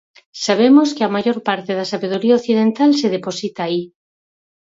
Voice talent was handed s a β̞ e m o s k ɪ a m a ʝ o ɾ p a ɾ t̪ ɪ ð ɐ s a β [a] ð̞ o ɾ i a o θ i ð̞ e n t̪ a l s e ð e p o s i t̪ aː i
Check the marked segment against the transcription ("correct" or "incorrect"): incorrect